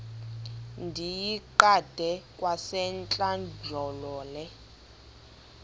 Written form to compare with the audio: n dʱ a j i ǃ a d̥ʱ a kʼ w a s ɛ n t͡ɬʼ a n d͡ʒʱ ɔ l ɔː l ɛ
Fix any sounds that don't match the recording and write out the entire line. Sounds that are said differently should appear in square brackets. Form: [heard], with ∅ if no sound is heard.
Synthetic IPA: n dʱ [i] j i ǃ a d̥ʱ [ɛ] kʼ w a s ɛ n t͡ɬʼ a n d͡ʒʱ ɔ l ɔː l ɛ